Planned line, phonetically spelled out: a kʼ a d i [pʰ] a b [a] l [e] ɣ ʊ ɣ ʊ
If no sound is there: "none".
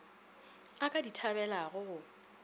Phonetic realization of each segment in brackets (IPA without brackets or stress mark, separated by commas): tʰ, ɛ, a